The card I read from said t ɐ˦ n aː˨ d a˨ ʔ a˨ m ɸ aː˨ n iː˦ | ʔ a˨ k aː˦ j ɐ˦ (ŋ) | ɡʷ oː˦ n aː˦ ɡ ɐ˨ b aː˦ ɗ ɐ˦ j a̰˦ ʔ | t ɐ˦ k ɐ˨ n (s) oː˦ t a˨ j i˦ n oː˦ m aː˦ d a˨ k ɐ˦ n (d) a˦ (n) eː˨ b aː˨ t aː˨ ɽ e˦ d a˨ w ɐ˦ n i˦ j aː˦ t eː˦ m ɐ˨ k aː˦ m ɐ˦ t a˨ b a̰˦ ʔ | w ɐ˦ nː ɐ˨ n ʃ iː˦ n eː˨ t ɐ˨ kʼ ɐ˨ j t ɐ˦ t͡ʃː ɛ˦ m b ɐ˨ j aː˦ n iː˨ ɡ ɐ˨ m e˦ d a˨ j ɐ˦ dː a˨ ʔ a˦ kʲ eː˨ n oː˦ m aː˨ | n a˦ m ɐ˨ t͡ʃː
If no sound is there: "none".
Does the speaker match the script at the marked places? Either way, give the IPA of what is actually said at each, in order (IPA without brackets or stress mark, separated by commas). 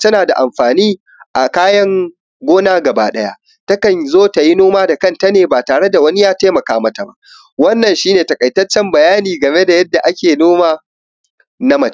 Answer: ŋ, z, t, n